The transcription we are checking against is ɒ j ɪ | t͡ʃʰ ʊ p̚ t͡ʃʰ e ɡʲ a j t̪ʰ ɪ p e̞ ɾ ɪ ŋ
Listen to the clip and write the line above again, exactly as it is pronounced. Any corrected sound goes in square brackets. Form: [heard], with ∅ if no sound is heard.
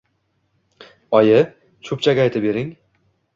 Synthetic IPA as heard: ɒ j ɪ | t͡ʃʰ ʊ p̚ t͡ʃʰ [a] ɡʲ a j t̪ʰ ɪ [b] e̞ ɾ ɪ ŋ